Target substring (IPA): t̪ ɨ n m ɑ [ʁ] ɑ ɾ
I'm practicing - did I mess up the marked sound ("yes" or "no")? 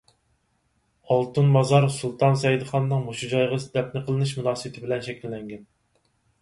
yes